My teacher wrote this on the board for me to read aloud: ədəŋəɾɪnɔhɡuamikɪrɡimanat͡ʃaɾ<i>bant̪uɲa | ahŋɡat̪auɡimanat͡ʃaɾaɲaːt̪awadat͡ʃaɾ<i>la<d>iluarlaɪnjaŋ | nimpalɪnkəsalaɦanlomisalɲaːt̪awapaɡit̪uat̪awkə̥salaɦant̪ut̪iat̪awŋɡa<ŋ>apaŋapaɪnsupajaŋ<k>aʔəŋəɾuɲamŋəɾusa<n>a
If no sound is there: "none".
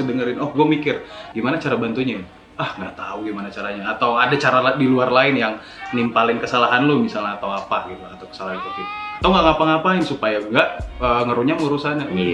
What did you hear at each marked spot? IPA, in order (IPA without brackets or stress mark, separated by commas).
a, a, d, ŋ, ɡ, n